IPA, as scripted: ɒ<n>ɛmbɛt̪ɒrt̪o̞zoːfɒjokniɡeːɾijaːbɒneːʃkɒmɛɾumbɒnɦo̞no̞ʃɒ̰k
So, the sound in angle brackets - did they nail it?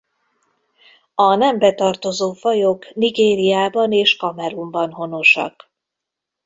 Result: yes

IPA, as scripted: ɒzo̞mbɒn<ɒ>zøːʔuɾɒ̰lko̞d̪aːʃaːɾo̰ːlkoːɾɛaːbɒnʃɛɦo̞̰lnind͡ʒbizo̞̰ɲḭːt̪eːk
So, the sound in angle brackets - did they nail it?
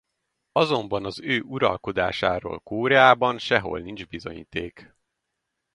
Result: yes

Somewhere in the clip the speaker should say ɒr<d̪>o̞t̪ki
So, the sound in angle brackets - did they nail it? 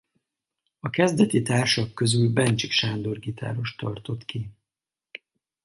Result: no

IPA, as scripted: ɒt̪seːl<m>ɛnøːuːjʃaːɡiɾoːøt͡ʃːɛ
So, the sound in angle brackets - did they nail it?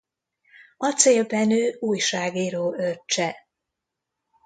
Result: no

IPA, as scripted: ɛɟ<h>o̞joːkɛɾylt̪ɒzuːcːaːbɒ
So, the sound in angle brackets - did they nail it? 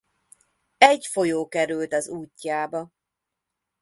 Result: no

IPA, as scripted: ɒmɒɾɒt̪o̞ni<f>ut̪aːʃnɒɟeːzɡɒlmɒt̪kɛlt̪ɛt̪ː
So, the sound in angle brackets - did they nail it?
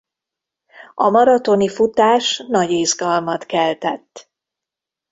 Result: yes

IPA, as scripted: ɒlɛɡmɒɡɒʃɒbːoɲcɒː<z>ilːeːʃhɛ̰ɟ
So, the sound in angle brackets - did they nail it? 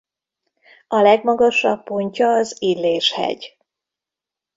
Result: yes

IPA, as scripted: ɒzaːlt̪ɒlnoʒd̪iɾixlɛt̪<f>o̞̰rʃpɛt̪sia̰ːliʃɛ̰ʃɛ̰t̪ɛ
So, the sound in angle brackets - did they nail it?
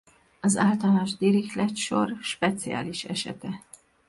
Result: no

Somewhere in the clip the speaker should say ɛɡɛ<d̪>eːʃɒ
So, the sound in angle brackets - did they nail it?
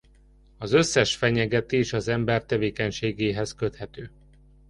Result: no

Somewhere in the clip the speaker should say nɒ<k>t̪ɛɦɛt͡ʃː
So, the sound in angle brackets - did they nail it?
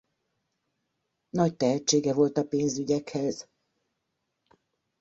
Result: no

